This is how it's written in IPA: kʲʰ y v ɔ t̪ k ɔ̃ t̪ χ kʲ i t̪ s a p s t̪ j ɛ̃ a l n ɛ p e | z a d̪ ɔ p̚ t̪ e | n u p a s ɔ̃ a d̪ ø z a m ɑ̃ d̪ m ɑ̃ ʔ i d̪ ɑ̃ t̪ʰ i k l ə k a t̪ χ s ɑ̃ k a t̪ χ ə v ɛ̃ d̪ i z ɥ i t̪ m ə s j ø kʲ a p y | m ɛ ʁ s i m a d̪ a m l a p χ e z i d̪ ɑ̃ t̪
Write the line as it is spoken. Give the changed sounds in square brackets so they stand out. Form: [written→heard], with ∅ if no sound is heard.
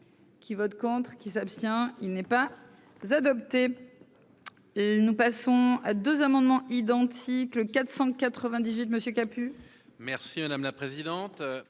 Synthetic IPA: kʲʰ [y→i] v ɔ t̪ k ɔ̃ t̪ χ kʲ i [t̪→∅] s a p s t̪ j ɛ̃ [a→i] l n ɛ p [e→a] | z a d̪ ɔ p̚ t̪ e | n u p a s ɔ̃ a d̪ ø z a m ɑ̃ d̪ m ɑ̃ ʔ i d̪ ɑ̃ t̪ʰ i k l ə k a t̪ χ s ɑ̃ k a t̪ χ ə v ɛ̃ d̪ i z ɥ i t̪ m ə s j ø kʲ a p y | m ɛ ʁ s i m a d̪ a m l a p χ e z i d̪ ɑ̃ t̪